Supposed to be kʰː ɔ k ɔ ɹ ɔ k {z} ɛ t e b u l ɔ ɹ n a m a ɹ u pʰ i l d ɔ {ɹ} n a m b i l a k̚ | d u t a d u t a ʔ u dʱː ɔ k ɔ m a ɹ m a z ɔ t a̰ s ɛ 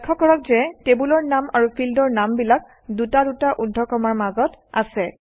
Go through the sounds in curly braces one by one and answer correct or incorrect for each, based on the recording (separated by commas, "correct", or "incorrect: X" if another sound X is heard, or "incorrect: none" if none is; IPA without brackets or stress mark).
correct, correct